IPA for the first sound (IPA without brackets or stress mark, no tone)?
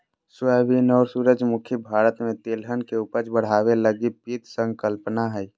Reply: s